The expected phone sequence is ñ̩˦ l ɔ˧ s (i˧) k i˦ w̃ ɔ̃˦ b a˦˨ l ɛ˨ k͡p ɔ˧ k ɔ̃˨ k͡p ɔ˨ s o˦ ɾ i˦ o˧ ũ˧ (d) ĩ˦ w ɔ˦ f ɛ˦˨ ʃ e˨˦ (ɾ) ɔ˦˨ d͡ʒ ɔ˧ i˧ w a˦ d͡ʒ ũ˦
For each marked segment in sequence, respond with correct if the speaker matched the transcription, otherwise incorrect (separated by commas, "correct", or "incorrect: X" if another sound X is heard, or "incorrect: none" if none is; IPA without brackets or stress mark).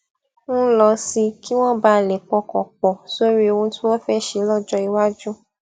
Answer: correct, incorrect: t, incorrect: l